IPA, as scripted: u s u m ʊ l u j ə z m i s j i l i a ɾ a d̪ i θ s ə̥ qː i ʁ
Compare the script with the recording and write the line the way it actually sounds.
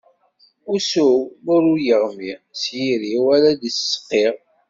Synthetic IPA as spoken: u s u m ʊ ɾ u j ə ʁ m i s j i ɾ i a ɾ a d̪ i s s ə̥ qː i ʁ